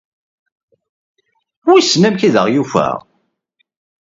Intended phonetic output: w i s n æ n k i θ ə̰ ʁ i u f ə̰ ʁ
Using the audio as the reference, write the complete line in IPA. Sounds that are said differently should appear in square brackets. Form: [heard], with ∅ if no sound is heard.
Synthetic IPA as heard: w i s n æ [m] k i [ð] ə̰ ʁ [j] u f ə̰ ʁ